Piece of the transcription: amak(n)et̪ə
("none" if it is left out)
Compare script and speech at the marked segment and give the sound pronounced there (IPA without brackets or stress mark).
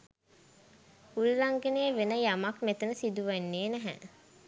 m